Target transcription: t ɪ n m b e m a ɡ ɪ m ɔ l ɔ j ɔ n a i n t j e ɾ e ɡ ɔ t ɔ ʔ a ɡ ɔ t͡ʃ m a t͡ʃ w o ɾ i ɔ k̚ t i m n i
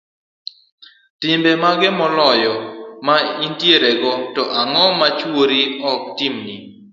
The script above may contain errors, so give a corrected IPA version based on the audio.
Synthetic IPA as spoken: t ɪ m b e m a ɡ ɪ m ɔ l ɔ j ɔ m a i n t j e ɾ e ɡ ɔ t ɔ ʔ a ŋ ɔ m a t͡ʃ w o ɾ i ɔ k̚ t i m n i

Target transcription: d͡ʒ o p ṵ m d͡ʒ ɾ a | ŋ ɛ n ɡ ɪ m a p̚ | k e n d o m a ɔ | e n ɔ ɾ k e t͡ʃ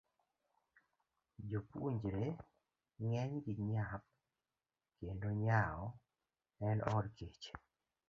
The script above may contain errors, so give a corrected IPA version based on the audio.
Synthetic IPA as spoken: d͡ʒ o p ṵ ɲ d͡ʒ ɾ e | ŋ ɛ ɲ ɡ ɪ ɲ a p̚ | k e n d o ɲ a ɔ | ɛ n ɔ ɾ k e t͡ʃ

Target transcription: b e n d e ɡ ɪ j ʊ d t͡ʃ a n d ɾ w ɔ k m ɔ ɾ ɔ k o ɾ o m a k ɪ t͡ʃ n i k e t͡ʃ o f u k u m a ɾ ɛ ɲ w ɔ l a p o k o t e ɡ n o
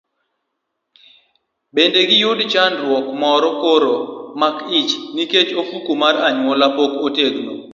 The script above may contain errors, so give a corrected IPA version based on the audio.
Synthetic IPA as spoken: b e n d e ɡ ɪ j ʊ d t͡ʃ a n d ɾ w ɔ k m ɔ ɾ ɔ k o ɾ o m a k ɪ t͡ʃ n i k e t͡ʃ o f u k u m a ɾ a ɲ w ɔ l a p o k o t e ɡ n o

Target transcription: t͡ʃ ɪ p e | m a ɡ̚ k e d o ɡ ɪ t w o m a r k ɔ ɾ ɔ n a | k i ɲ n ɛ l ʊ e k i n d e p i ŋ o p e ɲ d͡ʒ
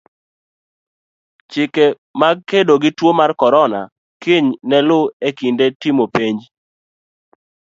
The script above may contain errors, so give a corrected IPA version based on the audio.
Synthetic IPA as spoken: t͡ʃ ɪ k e | m a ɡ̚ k e d o ɡ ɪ t w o m a r k ɔ ɾ ɔ n a | k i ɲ n ɛ l ʊ e k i n d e t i m o p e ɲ d͡ʒ

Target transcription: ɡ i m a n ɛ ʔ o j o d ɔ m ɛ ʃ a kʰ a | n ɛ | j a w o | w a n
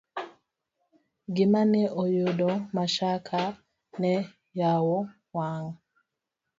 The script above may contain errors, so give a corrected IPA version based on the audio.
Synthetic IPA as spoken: ɡ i m a n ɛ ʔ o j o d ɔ m a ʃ a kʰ a | n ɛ | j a w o | w a ŋ

